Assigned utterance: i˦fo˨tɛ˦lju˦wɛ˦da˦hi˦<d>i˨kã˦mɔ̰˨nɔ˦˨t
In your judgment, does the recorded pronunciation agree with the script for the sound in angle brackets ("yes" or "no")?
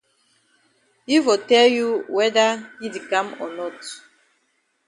yes